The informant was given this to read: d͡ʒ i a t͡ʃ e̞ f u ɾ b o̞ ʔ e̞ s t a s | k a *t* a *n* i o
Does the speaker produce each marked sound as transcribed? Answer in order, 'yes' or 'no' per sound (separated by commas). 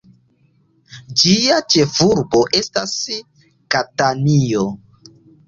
yes, yes